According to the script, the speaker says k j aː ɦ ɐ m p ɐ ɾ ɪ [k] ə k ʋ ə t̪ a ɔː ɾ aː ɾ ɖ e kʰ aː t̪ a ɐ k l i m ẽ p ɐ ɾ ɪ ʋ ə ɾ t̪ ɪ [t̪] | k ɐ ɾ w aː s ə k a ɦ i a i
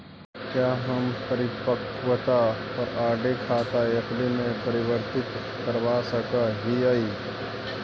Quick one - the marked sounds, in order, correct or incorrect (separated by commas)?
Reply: incorrect, correct